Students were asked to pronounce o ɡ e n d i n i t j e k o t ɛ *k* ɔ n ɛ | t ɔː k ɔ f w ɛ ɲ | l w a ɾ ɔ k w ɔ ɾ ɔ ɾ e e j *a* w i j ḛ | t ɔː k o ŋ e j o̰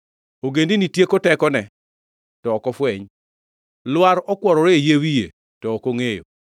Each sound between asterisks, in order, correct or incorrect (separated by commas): correct, incorrect